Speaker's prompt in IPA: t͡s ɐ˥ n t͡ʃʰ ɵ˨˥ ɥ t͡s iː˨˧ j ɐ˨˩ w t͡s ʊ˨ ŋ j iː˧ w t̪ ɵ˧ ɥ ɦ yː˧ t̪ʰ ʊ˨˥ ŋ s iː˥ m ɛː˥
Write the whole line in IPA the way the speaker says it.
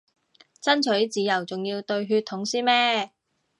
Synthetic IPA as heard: t͡s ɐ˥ n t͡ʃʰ ɵ˨˥ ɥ t͡s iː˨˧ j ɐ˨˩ w t͡s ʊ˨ ŋ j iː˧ w t̪ ɵ˧ ɥ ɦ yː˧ t̪ʰ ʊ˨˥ ŋ s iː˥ m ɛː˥